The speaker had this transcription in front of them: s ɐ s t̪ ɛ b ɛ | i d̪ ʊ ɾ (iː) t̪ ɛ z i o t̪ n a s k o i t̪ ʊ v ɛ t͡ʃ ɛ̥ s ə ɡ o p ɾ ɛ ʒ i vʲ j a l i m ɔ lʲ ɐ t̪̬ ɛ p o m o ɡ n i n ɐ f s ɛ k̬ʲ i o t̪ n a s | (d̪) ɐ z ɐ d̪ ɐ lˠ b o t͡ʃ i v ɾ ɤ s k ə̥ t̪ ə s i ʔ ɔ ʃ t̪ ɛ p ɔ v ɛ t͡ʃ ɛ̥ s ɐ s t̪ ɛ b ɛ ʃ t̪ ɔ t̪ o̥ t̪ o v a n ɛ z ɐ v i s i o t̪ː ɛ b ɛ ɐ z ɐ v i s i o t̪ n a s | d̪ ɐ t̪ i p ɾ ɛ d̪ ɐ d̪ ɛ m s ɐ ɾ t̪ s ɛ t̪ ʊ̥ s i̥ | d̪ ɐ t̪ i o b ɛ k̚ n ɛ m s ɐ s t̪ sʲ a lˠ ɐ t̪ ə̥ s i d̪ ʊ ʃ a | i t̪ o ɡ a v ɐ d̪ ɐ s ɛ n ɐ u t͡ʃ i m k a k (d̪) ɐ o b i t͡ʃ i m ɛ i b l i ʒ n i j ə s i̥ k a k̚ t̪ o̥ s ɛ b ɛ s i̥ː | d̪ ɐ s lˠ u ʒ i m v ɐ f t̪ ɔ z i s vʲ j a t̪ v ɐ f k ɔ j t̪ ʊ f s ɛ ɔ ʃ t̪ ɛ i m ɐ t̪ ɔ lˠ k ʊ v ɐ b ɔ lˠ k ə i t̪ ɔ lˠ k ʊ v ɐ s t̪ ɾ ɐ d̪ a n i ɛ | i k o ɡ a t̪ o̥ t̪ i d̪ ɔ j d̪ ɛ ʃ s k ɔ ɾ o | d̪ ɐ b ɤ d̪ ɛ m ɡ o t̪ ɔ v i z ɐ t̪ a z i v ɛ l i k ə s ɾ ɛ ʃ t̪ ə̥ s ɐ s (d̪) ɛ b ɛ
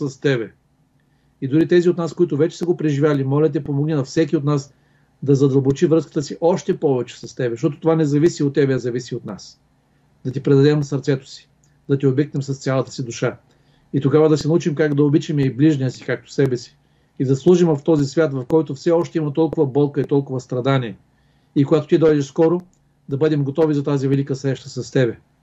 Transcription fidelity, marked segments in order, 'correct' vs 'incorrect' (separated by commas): incorrect, correct, correct, incorrect